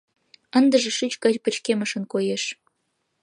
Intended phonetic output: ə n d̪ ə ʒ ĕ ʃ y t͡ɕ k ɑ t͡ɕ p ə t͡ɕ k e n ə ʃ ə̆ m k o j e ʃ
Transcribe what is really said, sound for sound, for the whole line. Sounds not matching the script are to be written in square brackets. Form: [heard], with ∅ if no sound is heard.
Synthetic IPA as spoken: ə n d̪ ə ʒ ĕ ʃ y t͡ɕ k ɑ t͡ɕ p ə t͡ɕ k e [m] ə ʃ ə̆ [n] k o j e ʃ